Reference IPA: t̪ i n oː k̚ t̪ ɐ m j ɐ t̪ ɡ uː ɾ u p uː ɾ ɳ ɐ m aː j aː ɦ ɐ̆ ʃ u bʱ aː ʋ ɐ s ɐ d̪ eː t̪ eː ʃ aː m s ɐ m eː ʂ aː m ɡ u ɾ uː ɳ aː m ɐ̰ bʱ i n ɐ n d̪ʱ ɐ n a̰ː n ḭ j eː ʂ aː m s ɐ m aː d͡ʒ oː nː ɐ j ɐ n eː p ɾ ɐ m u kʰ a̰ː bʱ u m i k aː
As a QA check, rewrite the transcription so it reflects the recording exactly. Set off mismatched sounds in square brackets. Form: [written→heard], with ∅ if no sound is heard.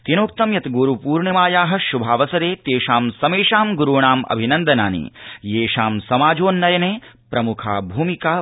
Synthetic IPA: t̪ i n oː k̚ t̪ ɐ m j ɐ t̪ ɡ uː ɾ u p uː ɾ ɳ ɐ m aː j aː ɦ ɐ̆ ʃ u bʱ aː ʋ ɐ s ɐ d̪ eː t̪ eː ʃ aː m s ɐ m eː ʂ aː m ɡ u ɾ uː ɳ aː m ɐ̰ bʱ i n ɐ n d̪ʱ ɐ n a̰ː n ḭ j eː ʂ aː m s ɐ m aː d͡ʒ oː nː ɐ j ɐ n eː p ɾ ɐ m u kʰ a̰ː bʱ [u→uː] m i k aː